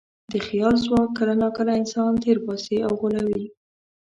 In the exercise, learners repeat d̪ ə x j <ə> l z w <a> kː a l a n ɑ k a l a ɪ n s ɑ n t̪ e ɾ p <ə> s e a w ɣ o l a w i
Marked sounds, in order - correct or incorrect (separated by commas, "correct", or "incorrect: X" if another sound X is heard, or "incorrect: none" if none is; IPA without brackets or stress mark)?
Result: incorrect: ɑ, incorrect: ɑ, incorrect: ɑ